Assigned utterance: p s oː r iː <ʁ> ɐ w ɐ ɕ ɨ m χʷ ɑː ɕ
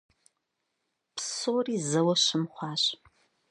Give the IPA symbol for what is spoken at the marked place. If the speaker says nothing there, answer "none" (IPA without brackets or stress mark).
z